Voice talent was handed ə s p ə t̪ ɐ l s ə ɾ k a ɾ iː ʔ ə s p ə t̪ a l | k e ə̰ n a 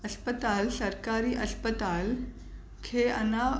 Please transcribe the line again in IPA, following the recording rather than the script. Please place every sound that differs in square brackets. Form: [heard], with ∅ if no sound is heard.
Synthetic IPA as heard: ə s p ə t̪ [a] l s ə ɾ k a ɾ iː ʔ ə s p ə t̪ a l | [kʰ] e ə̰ n a